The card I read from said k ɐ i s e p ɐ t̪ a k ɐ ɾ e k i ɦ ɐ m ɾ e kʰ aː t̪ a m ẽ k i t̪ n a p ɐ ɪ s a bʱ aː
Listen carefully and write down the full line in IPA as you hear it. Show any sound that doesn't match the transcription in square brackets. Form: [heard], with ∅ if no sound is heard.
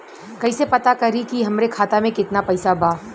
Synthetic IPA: k ɐ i s e p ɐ t̪ a k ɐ ɾ [i] k i ɦ ɐ m ɾ e kʰ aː t̪ a m ẽ k [ɪ] t̪ n a p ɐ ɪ s a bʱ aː